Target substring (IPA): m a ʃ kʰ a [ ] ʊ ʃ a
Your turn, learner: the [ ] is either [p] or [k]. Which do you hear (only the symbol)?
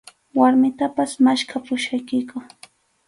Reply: p